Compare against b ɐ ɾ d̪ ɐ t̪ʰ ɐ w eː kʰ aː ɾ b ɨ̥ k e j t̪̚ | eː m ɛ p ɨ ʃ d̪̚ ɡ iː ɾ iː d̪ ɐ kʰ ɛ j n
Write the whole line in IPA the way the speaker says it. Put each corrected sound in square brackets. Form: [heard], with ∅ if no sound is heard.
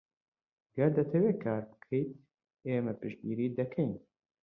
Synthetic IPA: [ɡ] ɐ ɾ d̪ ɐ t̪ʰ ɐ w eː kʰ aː ɾ b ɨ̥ [kʰ] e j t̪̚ | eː m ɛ p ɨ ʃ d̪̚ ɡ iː ɾ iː d̪ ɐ kʰ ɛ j n